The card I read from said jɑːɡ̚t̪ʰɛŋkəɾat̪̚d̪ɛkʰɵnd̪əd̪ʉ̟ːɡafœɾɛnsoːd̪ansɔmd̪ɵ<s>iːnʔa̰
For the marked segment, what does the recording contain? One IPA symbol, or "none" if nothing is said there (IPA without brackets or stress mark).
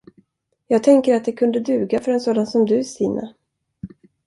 s